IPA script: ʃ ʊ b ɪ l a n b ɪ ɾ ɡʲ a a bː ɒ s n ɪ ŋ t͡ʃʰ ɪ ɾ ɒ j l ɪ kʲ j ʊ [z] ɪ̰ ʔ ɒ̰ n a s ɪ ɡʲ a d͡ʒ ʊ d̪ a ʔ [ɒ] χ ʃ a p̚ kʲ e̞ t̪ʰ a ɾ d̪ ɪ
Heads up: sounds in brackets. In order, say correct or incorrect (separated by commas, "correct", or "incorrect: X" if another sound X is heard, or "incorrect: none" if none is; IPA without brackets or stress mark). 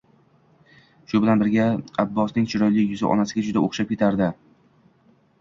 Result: correct, incorrect: o